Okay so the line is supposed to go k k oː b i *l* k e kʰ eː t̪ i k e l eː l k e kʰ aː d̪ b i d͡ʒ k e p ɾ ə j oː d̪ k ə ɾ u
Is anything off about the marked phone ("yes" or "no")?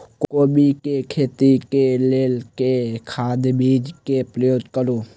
yes